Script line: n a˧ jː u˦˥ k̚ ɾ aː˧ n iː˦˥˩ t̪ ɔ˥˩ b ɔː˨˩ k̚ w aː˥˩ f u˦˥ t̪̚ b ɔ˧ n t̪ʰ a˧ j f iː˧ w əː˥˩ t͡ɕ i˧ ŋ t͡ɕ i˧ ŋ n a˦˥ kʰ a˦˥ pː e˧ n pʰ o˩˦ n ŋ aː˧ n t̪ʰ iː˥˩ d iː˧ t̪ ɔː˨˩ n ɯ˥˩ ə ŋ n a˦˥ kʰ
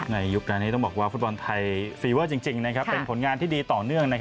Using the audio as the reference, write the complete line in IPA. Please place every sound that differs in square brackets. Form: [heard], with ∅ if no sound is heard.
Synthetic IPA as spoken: n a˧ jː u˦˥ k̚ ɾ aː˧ n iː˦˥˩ t̪ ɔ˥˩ b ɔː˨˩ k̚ w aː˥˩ f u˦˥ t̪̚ b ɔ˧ n t̪ʰ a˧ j f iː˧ w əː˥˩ t͡ɕ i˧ ŋ t͡ɕ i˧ ŋ n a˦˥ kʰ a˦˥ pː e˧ n pʰ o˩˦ n ŋ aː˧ n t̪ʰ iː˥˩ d iː˧ t̪ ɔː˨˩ n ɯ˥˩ ə ŋ n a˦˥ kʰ

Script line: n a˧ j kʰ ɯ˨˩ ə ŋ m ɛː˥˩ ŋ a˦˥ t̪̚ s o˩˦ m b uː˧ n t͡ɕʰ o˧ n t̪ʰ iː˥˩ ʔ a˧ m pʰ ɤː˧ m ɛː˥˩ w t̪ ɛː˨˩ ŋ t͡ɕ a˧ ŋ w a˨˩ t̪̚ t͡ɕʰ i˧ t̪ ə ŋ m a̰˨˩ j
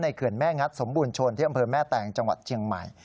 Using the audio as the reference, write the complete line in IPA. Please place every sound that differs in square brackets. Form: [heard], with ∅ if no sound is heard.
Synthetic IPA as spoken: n a˧ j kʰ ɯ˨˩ ə [n] m ɛː˥˩ ŋ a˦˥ t̪̚ s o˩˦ m b uː˧ n t͡ɕʰ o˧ n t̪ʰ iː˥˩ ʔ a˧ m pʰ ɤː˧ m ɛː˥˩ [∅] t̪ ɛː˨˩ ŋ t͡ɕ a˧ ŋ w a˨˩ t̪̚ t͡ɕʰ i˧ [∅] ə ŋ m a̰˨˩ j

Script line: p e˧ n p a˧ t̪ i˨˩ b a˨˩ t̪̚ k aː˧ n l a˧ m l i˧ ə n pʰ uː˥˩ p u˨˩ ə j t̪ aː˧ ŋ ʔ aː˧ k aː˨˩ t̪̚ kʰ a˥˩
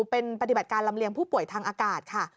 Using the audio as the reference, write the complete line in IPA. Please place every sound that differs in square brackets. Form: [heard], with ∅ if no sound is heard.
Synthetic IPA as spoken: p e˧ n p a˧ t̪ i˨˩ b a˨˩ t̪̚ k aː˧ n l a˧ m l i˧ ə [ŋ] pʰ uː˥˩ p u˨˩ ə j [t̪ʰ] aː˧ ŋ ʔ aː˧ k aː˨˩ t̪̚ kʰ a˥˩

